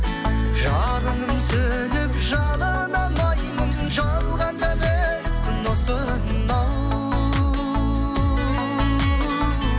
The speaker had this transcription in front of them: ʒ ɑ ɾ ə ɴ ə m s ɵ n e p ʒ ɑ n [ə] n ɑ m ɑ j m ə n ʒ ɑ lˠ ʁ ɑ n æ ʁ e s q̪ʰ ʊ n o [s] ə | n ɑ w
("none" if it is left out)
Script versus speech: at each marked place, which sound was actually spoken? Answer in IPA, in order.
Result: ɑ, s

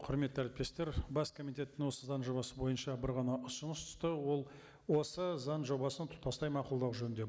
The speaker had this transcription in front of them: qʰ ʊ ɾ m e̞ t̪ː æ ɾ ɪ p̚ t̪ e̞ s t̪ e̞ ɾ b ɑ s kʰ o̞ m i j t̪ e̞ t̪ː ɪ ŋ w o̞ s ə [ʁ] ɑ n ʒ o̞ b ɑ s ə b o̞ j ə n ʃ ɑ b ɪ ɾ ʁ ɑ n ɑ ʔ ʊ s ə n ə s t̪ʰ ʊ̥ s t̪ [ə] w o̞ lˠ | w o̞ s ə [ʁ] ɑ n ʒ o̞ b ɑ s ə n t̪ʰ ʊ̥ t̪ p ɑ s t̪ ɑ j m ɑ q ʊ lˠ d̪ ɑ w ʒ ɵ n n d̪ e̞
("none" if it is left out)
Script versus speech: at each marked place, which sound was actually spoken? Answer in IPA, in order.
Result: z, ə, z

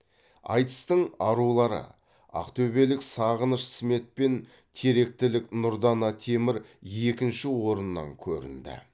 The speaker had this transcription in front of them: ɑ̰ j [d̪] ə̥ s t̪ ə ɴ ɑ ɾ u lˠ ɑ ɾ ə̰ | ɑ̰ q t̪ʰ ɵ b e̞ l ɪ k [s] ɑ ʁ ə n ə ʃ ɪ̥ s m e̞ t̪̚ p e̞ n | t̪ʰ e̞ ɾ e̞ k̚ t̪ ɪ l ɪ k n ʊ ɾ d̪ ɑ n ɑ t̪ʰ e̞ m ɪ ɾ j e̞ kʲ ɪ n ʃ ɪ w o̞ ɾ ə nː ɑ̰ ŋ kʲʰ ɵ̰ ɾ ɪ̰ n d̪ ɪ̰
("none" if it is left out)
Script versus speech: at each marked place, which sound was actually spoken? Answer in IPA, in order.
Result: t̪, s

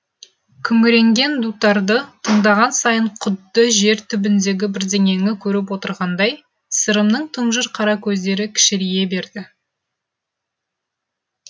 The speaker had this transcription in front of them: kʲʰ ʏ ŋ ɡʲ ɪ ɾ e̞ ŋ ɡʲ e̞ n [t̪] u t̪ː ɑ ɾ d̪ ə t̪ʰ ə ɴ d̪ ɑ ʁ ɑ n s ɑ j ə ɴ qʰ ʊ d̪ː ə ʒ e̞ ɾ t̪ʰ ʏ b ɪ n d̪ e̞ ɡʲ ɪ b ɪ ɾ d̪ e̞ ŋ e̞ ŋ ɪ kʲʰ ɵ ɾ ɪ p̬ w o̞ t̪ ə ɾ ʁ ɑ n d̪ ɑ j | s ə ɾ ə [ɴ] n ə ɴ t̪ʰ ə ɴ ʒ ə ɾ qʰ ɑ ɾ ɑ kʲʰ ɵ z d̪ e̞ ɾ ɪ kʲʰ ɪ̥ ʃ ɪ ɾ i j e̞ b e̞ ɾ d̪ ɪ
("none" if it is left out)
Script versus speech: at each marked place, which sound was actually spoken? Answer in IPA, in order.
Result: d̪, m

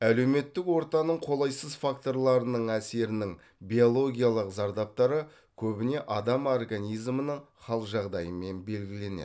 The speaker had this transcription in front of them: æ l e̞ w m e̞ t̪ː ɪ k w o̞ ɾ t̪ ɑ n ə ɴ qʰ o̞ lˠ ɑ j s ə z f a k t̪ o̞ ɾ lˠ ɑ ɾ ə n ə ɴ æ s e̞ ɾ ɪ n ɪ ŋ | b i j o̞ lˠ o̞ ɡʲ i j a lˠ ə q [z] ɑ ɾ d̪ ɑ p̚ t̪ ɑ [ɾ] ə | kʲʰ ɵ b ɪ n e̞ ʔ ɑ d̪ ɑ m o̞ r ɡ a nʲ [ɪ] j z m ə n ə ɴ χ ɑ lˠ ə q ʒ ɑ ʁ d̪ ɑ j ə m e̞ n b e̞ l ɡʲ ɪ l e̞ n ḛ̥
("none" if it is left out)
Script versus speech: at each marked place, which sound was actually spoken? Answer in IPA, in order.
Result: z, ɾ, i

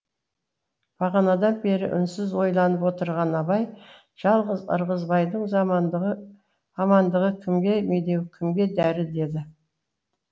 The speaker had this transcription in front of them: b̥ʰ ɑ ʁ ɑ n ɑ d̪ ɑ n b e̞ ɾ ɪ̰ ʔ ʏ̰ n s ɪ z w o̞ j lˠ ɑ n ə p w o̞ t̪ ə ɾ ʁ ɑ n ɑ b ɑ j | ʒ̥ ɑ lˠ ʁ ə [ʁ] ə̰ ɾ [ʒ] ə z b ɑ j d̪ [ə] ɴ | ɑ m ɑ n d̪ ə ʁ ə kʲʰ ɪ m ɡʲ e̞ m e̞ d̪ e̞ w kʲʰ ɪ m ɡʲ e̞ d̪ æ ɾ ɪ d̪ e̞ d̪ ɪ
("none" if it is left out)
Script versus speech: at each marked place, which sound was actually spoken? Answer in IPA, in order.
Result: z, ʁ, ə

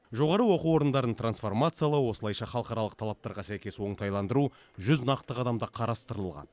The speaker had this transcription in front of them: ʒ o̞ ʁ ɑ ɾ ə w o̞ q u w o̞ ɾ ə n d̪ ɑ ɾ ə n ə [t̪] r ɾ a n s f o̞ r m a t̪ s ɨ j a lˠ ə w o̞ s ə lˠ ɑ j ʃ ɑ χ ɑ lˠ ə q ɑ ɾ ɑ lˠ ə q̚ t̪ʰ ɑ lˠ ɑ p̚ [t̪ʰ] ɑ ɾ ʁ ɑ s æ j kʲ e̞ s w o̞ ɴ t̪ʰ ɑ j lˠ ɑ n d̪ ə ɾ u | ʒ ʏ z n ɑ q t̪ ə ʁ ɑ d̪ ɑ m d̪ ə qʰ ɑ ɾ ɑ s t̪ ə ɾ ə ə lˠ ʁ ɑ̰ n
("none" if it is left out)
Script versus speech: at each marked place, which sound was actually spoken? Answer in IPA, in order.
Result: t̪, t̪

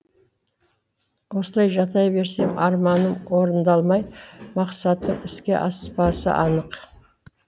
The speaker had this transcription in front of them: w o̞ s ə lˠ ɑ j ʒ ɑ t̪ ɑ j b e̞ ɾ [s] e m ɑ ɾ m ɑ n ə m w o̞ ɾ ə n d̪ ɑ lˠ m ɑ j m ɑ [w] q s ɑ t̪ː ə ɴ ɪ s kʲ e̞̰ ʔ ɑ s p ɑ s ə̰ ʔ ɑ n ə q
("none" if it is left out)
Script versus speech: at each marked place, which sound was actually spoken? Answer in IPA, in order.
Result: s, none

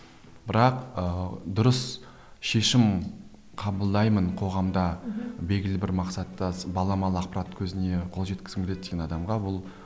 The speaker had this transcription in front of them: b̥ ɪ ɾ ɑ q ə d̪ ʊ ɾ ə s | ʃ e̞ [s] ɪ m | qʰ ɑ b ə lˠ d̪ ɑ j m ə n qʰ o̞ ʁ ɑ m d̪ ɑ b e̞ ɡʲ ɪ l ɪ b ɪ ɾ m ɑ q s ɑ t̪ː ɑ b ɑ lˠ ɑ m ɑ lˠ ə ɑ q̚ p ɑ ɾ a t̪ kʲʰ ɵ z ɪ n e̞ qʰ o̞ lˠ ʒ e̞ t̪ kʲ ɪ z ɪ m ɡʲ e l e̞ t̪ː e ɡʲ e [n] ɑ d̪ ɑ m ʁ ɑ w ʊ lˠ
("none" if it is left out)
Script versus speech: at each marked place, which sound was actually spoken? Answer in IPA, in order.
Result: ʃ, n

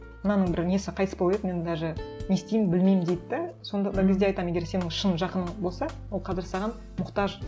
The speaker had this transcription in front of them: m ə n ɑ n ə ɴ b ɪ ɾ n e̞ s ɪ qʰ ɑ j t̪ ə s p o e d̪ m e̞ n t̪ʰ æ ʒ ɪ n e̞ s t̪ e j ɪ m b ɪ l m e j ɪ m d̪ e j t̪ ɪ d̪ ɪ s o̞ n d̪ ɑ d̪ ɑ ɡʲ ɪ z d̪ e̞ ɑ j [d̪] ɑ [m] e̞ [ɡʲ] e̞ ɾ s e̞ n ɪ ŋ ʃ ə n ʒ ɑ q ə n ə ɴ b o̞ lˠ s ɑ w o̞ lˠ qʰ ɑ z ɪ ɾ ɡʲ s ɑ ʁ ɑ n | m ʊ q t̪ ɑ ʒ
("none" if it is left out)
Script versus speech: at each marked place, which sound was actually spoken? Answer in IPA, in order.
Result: t̪, m, ɡʲ

